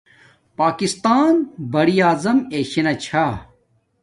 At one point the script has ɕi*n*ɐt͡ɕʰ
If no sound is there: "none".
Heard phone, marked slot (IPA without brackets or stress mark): n